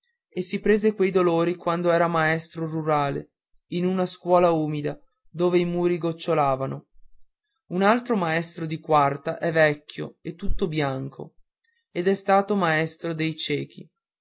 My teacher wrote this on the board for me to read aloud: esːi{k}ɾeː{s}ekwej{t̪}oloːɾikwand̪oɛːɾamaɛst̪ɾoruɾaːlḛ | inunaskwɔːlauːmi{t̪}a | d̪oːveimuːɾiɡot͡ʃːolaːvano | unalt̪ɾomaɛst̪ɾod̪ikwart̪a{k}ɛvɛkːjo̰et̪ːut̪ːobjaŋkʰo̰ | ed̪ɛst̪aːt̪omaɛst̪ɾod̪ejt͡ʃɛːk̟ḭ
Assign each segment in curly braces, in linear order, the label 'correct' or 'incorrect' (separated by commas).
incorrect, incorrect, incorrect, incorrect, incorrect